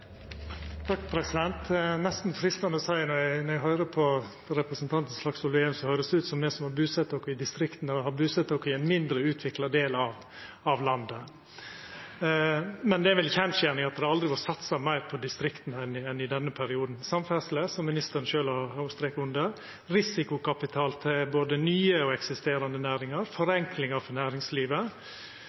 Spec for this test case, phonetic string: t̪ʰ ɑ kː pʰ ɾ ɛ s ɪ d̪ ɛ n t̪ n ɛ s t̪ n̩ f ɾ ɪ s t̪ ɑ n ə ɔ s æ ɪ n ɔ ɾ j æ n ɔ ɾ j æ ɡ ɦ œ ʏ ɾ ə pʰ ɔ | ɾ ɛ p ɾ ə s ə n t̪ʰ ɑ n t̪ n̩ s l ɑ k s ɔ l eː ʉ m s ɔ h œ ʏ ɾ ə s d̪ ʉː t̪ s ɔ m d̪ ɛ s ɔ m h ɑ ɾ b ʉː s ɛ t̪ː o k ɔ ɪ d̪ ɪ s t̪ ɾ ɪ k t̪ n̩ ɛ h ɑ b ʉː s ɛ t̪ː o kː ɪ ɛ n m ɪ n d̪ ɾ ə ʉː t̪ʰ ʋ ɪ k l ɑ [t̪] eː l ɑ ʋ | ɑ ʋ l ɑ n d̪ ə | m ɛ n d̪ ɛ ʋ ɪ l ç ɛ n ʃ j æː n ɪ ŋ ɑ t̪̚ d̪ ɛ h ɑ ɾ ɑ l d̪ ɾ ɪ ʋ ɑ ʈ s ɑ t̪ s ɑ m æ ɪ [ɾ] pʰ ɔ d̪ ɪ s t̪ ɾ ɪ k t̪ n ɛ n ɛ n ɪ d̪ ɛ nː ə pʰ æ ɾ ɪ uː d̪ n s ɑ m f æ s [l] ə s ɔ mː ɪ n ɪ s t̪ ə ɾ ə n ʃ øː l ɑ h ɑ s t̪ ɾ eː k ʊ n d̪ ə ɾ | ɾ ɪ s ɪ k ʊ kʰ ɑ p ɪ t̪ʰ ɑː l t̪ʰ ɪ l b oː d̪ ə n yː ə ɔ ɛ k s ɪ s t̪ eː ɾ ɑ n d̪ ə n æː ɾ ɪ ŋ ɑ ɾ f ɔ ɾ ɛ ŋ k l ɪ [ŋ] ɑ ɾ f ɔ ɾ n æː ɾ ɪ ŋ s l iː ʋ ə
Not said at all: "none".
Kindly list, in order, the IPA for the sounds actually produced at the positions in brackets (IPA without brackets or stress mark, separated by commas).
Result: d̪, ɾ, l, ŋ